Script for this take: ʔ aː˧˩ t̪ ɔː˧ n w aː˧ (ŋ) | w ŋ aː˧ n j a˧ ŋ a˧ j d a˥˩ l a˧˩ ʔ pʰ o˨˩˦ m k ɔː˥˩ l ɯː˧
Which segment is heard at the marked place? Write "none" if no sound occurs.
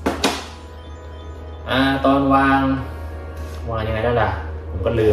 ŋ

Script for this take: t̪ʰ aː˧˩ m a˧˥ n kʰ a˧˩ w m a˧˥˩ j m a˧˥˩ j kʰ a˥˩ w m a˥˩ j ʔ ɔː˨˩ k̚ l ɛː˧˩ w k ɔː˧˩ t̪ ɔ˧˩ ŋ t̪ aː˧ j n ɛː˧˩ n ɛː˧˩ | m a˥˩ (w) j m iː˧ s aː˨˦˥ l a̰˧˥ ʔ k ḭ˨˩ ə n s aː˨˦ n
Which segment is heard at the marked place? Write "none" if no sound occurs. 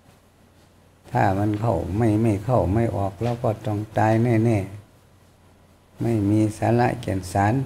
none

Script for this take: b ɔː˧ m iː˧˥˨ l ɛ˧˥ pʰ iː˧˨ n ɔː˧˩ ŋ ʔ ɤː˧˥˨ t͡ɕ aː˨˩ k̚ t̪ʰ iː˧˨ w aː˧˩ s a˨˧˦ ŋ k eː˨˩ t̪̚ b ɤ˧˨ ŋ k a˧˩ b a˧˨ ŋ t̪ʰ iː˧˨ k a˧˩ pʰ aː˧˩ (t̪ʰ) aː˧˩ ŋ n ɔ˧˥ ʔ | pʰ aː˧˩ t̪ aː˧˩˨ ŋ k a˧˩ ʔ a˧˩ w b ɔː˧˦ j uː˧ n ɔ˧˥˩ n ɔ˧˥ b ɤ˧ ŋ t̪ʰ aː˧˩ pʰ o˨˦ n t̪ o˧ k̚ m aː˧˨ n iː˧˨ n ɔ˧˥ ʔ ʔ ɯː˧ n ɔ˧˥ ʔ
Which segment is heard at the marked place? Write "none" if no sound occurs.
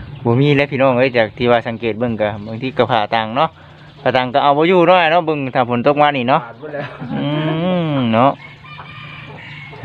t̪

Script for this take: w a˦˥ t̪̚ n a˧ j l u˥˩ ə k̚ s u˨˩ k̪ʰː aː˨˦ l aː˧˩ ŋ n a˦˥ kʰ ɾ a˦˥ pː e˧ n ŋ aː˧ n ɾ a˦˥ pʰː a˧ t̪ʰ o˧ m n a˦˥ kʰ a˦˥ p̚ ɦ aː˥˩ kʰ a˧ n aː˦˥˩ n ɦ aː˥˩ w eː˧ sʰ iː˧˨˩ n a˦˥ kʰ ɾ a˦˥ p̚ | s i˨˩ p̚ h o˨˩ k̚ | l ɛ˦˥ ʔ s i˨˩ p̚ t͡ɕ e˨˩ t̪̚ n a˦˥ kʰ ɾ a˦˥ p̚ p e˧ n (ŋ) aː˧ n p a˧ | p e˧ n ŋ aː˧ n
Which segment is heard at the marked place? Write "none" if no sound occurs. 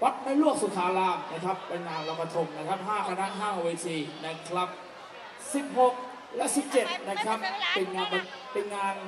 ŋ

